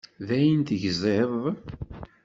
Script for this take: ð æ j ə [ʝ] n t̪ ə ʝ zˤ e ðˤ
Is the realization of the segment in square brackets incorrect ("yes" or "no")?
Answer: yes